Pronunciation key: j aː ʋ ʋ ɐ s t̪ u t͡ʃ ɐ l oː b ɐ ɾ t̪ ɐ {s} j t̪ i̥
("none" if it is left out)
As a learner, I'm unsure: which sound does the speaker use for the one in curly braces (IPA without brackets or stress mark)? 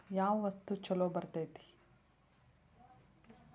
none